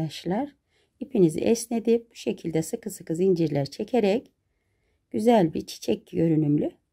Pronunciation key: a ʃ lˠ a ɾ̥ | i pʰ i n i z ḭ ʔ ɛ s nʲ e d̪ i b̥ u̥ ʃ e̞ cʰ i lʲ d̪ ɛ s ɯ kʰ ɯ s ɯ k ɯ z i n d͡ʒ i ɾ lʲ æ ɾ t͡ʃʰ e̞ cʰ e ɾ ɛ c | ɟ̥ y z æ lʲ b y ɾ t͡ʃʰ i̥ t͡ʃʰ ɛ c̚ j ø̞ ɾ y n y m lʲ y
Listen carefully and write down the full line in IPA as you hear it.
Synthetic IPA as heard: a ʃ lˠ a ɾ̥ | i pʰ i n i z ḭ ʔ ɛ s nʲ e d̪ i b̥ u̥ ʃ e̞ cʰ i lʲ d̪ ɛ s ɯ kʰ ɯ s ɯ k ɯ z i n d͡ʒ i ɾ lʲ æ ɾ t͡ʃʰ e̞ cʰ e ɾ ɛ c | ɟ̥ y z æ lʲ b i ɾ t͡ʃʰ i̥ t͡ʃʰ ɛ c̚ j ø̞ ɾ y n y m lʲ y